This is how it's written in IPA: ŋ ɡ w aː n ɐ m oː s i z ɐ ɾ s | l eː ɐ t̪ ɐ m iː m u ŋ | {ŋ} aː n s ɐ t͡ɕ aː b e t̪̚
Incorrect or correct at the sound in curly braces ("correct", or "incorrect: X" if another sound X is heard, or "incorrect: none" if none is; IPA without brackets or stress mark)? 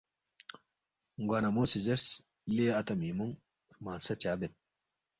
incorrect: m